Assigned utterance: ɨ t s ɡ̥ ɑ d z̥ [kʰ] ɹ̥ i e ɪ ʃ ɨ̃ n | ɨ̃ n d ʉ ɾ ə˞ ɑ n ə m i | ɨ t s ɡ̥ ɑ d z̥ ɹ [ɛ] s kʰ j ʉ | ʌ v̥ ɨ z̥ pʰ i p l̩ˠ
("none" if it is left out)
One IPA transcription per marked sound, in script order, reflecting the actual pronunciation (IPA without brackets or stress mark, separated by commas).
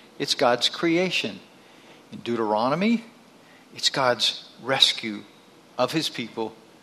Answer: kʰ, ɛ